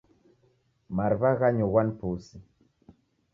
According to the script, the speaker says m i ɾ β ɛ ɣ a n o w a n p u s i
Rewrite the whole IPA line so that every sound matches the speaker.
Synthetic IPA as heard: m a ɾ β a ɣ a ɲ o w a n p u s i